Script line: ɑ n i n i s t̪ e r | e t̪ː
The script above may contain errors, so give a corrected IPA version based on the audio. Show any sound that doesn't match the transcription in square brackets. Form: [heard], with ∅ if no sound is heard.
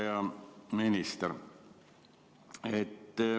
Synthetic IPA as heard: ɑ [m] i n i s t̪ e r | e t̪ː